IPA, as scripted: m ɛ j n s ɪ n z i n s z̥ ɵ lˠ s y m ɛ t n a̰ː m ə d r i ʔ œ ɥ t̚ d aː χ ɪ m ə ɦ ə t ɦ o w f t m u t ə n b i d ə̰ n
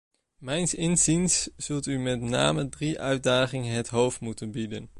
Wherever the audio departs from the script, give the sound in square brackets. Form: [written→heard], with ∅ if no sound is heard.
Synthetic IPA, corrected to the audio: m ɛ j n s ɪ n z i n s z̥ ɵ lˠ [s→t] y m ɛ t n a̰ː m ə d r i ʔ œ ɥ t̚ d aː χ ɪ [m→ŋ] ə ɦ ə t ɦ o w f t m u t ə n b i d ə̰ n